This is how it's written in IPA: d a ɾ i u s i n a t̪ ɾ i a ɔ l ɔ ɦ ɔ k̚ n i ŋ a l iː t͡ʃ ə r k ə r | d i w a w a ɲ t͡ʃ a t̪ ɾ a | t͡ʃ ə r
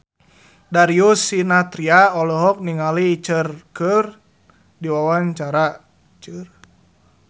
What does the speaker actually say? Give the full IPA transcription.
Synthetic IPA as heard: d a ɾ i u s i n a t̪ ɾ i a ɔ l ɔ ɦ ɔ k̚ n i ŋ a l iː t͡ʃ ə r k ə r | d i w a w a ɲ t͡ʃ a ɾ a | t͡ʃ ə r